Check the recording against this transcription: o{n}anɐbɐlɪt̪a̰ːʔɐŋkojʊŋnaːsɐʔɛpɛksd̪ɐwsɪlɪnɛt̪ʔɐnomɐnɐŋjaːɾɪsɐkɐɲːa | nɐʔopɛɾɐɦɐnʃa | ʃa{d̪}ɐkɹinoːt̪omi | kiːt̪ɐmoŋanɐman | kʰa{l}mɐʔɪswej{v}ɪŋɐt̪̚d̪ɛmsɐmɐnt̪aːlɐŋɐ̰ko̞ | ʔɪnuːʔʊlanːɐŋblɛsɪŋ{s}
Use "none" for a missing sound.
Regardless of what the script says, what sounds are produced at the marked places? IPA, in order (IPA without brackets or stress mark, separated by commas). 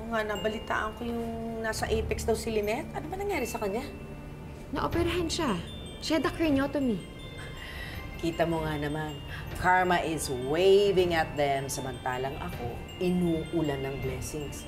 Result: ŋ, d̪, ɹ, v, s